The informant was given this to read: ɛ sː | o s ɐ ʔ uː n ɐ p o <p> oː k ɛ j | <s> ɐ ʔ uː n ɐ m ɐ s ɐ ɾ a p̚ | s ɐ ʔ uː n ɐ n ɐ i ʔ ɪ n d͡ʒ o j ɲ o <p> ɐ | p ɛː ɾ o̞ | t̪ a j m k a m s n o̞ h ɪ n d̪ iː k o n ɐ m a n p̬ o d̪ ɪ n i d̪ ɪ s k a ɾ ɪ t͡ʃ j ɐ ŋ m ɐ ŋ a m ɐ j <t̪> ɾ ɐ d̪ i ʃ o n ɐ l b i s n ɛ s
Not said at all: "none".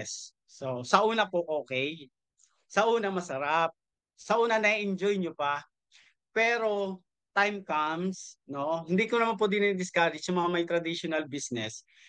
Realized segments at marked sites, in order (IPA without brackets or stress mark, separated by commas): ʔ, s, p, t̪